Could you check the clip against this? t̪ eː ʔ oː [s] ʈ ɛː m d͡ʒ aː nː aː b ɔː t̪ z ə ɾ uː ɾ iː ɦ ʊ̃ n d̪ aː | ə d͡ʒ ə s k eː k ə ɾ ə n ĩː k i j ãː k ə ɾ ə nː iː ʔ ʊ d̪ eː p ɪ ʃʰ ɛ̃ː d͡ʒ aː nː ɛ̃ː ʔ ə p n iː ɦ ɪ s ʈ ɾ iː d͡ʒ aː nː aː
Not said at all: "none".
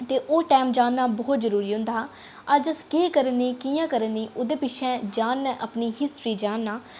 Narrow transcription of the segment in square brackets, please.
none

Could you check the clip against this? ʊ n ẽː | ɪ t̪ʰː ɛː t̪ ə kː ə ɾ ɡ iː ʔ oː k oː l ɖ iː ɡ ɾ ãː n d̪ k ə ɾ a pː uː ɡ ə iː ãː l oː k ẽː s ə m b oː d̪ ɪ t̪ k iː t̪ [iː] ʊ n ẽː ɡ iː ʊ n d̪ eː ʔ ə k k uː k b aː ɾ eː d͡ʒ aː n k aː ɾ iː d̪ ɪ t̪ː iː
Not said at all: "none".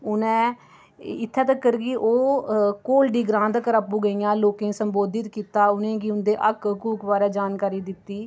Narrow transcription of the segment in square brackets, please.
aː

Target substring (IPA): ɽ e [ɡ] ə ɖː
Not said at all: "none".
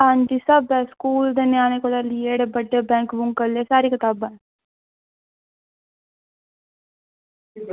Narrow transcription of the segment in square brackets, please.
b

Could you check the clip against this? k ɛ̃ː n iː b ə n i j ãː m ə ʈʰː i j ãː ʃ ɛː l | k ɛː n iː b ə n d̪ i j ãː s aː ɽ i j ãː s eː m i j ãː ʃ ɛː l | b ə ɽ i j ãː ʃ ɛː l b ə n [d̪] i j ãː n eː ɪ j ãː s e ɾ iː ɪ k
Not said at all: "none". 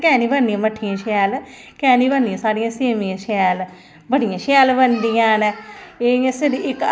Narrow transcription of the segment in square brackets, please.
d̪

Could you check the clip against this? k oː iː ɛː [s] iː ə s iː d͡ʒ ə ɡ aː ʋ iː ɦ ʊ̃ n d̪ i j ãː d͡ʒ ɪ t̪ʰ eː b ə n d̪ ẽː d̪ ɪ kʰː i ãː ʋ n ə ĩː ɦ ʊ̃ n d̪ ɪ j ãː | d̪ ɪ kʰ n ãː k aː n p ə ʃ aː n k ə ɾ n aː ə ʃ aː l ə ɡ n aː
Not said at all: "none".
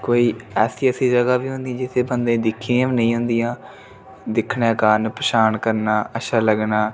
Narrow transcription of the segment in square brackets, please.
s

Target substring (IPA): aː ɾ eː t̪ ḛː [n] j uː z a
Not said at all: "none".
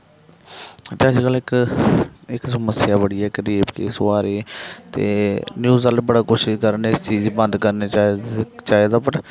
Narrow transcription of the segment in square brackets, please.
n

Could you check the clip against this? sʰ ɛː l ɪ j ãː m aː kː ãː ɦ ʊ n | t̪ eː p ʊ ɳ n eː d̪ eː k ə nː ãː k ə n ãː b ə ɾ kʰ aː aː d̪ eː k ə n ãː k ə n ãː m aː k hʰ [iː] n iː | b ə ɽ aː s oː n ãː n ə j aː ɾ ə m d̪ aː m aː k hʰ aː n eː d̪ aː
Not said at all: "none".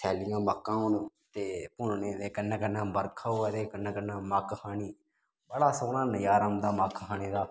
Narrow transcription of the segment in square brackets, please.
aː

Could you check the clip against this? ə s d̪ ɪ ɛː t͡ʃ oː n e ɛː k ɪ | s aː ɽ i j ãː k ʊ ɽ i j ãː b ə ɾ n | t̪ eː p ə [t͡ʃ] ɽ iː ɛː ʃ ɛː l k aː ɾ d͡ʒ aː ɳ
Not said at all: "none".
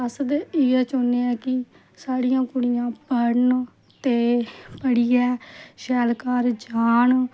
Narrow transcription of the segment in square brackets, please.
none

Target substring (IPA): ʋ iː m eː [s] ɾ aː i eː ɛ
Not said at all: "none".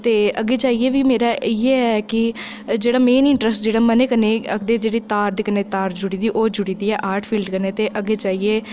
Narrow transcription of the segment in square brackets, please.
none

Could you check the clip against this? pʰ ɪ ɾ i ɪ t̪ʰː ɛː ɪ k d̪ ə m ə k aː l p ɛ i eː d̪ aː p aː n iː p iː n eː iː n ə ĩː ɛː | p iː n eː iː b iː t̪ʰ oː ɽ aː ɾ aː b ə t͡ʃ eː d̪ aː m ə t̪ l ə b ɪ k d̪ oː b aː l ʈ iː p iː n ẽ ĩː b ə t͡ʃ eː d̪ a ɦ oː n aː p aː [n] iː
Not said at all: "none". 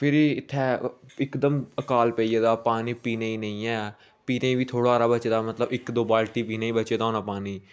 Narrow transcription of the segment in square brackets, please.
n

